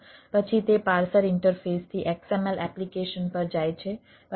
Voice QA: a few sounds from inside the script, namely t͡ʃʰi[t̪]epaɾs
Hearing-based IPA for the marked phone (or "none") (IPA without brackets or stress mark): t̪